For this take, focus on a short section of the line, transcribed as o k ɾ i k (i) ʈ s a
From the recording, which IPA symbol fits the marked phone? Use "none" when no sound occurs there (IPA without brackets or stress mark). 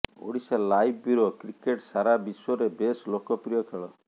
e